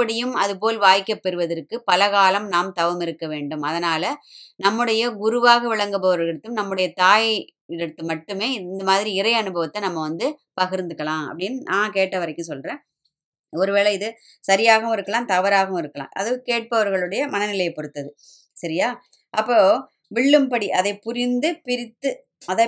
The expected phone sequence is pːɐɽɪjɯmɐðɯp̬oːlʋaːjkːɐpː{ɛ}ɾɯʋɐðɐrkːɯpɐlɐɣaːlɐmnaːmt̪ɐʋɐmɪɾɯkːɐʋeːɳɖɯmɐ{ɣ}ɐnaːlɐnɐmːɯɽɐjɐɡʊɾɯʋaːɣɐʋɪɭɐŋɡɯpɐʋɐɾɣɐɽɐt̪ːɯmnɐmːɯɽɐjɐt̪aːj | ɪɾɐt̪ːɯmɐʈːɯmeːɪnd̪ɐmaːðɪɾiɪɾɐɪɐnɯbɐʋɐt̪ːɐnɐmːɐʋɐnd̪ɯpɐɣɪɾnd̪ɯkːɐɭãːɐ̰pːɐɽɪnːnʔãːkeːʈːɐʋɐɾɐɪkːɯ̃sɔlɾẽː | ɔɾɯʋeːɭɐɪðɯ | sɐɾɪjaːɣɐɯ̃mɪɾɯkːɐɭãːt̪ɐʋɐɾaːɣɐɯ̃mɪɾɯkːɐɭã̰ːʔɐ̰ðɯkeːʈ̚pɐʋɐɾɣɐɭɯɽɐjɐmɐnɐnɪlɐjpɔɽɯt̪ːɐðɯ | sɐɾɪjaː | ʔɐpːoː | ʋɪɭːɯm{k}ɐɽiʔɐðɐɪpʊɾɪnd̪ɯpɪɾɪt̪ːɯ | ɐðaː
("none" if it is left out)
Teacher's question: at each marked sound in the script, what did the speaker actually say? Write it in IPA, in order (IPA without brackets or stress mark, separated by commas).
ɛ, ð, p